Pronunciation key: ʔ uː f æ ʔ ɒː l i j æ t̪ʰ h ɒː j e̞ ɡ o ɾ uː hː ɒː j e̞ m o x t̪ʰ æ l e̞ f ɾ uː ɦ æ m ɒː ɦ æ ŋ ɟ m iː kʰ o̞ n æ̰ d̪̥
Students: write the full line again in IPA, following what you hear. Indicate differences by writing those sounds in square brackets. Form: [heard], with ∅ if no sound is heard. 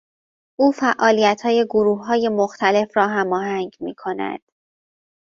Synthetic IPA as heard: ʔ uː f æ ʔ ɒː l i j æ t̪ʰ h ɒː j e̞ ɡ o ɾ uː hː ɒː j e̞ m o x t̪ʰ æ l e̞ f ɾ [ɒː] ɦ æ m ɒː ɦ æ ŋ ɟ m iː kʰ o̞ n æ̰ d̪̥